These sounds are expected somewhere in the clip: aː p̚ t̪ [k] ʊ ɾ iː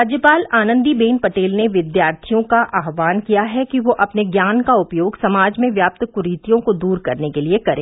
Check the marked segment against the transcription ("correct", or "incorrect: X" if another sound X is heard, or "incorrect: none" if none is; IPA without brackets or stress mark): correct